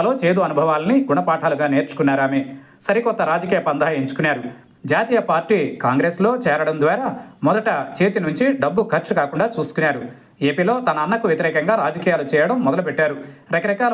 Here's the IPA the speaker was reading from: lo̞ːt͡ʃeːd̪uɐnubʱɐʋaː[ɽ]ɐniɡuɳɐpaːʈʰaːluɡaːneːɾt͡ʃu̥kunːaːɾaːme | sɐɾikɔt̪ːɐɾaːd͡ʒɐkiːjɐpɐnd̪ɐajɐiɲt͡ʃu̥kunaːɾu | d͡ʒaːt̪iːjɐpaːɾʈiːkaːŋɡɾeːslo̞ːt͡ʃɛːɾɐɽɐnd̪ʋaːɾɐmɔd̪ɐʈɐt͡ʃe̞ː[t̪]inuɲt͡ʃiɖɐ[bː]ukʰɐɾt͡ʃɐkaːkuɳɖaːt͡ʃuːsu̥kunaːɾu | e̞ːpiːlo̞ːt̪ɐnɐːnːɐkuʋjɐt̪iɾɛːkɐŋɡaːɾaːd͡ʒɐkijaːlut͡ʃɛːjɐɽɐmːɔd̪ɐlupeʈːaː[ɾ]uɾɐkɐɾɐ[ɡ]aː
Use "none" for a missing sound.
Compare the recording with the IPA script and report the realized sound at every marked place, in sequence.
l, t̪, bː, ɾ, k

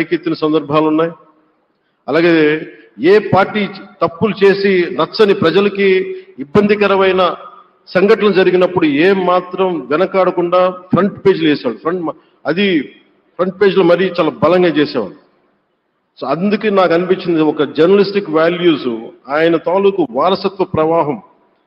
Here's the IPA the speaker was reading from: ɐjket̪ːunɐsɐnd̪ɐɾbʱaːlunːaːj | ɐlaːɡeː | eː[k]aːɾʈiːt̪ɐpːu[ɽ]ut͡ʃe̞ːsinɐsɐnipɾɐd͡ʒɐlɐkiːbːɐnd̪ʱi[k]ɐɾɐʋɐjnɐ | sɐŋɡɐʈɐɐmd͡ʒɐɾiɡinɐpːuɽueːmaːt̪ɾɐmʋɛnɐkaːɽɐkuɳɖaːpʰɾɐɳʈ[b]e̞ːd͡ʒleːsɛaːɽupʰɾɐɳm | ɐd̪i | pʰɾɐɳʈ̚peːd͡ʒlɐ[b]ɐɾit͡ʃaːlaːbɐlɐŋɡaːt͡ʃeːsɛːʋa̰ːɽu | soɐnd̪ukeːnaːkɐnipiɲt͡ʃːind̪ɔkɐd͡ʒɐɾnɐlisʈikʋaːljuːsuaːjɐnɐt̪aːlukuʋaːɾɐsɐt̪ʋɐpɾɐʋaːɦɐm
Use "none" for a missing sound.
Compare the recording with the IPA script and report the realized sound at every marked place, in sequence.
p, l, k, p, m

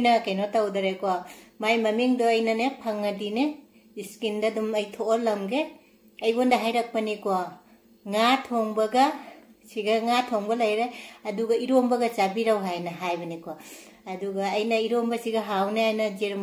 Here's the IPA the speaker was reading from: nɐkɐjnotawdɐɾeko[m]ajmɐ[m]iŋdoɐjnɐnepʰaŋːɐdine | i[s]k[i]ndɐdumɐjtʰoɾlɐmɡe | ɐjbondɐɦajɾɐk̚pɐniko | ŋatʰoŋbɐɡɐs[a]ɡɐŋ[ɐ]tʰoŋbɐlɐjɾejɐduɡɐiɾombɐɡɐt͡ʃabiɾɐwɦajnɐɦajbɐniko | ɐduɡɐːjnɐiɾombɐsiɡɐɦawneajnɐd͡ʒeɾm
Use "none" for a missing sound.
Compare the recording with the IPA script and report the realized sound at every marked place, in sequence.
m, m, s, i, i, a

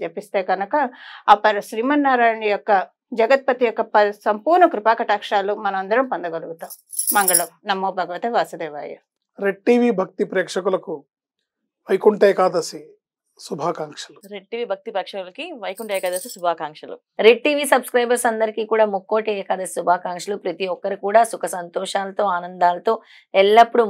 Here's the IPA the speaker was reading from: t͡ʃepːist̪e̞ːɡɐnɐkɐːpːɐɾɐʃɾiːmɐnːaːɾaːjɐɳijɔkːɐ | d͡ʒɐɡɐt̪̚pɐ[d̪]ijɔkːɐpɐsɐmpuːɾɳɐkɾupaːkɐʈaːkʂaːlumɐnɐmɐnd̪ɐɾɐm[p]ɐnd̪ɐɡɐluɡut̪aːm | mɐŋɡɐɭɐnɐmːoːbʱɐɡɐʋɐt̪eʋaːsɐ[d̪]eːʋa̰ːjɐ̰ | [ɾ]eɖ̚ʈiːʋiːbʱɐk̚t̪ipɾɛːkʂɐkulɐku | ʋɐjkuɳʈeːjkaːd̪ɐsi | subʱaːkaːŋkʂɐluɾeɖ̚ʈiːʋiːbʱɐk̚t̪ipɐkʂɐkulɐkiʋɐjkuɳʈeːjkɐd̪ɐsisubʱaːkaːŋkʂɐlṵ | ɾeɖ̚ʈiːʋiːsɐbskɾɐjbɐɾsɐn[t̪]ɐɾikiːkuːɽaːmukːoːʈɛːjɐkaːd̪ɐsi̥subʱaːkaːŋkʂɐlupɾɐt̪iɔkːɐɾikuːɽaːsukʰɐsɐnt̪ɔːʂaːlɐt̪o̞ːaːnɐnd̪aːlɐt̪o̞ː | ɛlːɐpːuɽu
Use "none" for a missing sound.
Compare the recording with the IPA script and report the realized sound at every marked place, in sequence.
t̪, p, d̪, ɾ, d̪

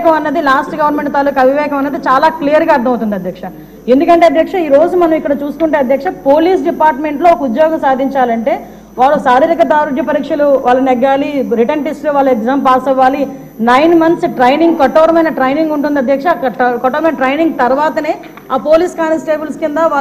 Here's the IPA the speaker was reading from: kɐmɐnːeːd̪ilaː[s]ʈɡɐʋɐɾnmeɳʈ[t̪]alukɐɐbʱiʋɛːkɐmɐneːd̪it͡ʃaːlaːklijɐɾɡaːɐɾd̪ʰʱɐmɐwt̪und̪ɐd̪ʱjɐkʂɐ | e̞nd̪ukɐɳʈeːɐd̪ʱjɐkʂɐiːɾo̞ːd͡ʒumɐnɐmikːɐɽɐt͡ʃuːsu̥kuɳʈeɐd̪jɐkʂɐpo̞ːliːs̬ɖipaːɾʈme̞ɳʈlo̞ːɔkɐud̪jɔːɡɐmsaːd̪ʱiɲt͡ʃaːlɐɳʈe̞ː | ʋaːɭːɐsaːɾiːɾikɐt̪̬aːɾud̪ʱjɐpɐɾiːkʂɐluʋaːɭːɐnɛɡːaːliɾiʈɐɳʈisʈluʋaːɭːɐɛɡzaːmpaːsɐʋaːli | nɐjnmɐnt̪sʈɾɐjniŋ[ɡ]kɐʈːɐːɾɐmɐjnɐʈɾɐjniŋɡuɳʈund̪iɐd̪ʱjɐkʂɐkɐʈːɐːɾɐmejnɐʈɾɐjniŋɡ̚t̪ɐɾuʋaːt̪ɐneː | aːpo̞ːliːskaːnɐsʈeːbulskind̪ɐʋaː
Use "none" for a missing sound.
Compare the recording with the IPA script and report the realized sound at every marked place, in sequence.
s, t̪, ɡ

